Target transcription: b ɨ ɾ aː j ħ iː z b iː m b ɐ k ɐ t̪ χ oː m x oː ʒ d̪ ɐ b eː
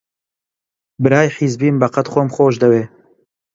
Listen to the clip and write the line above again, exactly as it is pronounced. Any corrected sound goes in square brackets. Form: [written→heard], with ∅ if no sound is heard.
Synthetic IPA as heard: b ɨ ɾ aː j ħ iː z b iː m b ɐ [k→q] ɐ t̪ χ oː m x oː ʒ d̪ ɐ [b→w] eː